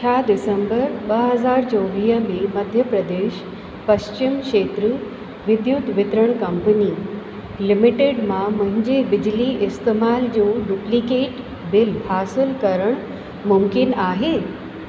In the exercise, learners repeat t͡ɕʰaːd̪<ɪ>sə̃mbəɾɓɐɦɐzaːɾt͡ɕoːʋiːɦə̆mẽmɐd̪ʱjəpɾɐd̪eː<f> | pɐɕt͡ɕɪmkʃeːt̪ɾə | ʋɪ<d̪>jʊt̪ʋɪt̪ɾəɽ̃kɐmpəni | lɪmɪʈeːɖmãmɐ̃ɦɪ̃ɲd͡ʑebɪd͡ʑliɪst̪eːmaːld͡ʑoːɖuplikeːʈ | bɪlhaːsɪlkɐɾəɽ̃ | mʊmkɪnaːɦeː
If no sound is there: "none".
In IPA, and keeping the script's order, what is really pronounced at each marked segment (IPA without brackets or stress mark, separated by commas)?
ɪ, ʃ, d̪